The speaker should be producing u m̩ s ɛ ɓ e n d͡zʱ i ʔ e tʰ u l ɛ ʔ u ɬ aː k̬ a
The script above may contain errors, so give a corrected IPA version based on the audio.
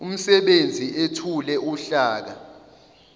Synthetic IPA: u m̩ s ɛ ɓ e n d͡zʱ i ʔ e tʰ u l ɛ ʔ u ɬ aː k̬ a